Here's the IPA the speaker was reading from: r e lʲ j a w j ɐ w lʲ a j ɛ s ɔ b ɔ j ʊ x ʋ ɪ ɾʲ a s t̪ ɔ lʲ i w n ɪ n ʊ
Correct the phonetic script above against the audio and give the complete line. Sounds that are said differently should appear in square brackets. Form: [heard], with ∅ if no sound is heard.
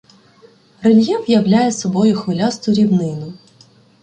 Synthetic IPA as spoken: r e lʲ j [ɛ] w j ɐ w lʲ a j ɛ s ɔ b ɔ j ʊ x ʋ ɪ [lʲ] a s t̪ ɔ [ɾʲ] i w n ɪ n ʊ